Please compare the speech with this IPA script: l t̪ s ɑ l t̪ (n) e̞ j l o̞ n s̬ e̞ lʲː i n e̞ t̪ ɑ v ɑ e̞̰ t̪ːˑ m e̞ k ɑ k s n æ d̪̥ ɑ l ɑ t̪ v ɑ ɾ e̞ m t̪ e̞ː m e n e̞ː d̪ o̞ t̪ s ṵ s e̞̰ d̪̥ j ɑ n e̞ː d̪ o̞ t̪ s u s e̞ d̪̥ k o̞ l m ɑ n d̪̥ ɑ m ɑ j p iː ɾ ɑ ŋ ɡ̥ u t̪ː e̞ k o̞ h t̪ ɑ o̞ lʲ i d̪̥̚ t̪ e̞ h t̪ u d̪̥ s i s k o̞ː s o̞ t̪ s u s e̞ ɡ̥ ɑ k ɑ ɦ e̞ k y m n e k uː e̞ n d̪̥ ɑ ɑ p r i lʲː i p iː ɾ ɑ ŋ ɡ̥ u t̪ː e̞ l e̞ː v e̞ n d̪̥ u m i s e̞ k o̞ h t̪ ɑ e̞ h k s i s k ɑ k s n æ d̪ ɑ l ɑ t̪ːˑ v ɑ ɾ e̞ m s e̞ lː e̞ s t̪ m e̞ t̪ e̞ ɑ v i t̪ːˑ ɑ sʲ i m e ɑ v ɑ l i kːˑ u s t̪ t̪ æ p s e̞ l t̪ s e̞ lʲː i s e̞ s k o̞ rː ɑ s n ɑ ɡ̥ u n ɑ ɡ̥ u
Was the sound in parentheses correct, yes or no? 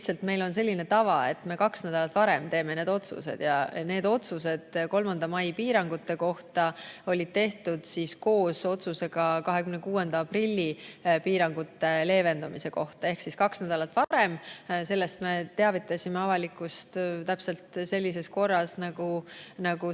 no